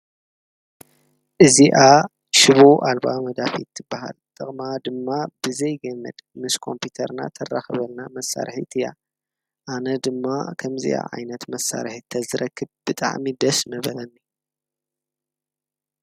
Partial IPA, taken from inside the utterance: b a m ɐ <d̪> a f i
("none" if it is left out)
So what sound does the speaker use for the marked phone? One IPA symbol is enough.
d̪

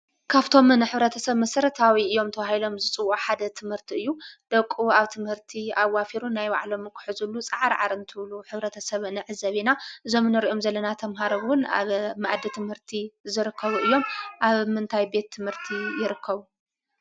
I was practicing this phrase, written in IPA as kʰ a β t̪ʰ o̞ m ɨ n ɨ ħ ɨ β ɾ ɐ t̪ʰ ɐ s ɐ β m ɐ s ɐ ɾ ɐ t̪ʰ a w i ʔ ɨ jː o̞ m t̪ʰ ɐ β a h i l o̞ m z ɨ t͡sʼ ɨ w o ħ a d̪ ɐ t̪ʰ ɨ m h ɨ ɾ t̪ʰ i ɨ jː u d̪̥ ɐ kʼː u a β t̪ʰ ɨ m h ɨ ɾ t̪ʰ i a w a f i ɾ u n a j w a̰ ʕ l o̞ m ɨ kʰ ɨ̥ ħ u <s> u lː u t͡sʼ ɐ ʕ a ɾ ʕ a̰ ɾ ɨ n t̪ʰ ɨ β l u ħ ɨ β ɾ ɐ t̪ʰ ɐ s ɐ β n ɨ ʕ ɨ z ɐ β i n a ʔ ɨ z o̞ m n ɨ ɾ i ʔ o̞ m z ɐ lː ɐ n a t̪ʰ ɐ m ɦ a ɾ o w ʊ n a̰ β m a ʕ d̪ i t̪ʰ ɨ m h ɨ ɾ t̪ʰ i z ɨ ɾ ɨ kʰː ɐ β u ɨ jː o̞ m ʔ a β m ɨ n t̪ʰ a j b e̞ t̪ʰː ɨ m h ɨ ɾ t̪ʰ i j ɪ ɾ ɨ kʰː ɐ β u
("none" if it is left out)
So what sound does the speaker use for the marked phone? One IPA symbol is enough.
z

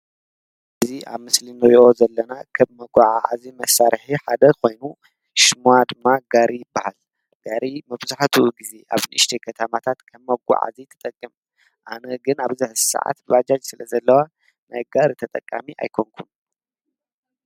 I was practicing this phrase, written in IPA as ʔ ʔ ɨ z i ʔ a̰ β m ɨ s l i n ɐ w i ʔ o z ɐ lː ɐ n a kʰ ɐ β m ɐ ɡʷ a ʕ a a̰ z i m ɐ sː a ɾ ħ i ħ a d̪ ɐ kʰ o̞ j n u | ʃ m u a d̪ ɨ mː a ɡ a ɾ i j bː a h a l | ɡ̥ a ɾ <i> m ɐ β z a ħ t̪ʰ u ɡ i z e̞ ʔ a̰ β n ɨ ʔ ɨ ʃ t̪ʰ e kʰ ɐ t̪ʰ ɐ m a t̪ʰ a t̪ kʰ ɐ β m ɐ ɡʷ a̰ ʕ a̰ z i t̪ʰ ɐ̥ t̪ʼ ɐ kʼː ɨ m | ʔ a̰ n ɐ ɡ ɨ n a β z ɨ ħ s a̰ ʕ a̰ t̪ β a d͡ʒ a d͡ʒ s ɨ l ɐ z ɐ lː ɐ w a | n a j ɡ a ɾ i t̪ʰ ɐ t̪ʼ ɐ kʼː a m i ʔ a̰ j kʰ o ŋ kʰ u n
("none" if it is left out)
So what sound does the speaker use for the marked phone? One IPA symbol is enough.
i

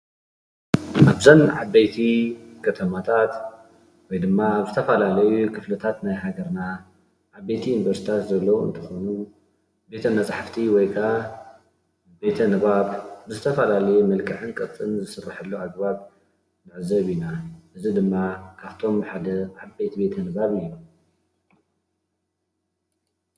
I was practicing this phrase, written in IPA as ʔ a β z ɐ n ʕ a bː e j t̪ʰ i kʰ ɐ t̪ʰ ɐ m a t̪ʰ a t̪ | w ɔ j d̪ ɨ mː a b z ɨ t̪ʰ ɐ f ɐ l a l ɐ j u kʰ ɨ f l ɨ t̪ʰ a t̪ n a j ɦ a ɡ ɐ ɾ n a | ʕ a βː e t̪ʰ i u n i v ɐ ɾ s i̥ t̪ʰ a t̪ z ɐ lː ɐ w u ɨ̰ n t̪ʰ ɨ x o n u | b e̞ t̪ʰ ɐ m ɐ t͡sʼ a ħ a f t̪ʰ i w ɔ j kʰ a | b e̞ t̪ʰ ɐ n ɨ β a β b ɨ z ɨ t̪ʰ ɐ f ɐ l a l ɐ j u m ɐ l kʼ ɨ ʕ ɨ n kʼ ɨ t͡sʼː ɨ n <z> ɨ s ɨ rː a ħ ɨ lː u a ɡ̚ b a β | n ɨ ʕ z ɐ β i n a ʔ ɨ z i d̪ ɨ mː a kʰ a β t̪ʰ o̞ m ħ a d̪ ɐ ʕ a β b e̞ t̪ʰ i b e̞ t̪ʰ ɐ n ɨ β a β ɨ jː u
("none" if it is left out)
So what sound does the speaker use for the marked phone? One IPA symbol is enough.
z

